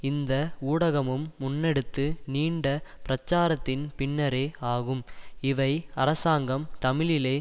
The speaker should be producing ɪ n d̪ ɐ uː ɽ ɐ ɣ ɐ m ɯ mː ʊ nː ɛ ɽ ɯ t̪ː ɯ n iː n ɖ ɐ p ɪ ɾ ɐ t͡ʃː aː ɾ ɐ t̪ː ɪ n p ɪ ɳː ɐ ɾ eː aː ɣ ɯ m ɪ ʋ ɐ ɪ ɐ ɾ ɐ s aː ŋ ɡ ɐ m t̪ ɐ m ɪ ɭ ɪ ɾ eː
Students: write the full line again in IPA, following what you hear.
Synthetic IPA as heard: ɪ n d̪ ɐ uː ɽ ɐ ɣ ɐ m ɯ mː ʊ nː ɛ ɽ ɯ t̪ː ɯ n iː ɳ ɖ ɐ p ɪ ɾ ɐ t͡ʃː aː ɾ ɐ t̪ː ɪ n p ɪ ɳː ɐ ɾ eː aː ɣ ɯ m ɪ ʋ ɐ ɪ ɐ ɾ ɐ s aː ŋ ɡ ɐ m t̪ ɐ m ɪ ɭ ɪ l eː